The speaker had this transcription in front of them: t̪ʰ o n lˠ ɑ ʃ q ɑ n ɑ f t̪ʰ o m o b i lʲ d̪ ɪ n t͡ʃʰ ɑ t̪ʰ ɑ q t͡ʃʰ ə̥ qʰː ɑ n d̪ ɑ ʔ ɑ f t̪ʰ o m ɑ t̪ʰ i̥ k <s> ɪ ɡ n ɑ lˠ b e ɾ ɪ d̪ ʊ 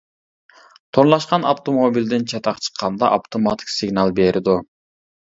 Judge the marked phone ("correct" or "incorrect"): correct